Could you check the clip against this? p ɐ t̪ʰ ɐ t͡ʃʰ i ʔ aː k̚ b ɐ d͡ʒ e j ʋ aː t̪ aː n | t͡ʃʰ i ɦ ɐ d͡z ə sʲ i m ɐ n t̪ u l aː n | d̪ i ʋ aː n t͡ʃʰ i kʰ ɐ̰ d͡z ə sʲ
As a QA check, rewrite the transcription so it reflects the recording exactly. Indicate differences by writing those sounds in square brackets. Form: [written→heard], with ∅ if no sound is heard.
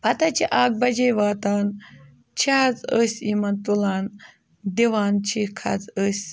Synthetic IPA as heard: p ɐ [t̪ʰ→t̪] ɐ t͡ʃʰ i ʔ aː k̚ b ɐ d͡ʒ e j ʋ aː t̪ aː n | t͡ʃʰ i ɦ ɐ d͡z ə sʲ i m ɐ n t̪ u l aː n | d̪ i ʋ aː n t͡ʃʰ i kʰ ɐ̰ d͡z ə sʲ